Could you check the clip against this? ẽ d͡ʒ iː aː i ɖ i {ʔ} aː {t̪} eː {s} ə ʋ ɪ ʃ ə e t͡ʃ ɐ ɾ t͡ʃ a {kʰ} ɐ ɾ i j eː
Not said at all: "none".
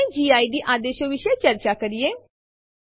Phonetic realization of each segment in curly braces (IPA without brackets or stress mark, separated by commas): ʔ, d̪, ʃ, k